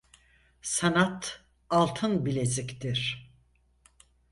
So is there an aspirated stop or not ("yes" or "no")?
yes